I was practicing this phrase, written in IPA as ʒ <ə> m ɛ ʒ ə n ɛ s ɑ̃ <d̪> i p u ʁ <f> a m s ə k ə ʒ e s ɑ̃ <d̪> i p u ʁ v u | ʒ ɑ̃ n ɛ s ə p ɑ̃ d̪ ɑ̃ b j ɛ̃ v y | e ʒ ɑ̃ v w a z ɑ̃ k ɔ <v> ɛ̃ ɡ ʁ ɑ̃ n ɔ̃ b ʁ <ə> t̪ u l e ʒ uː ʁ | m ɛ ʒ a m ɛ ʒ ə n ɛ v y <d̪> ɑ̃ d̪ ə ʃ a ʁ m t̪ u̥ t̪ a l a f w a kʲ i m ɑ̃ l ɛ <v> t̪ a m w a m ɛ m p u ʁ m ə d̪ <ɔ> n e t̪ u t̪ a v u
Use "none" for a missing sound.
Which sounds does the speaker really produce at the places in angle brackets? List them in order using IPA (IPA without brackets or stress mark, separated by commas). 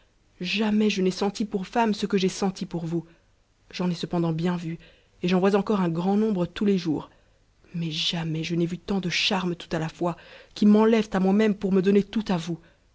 a, t̪, f, t̪, ʁ, ə, t̪, v, ɔ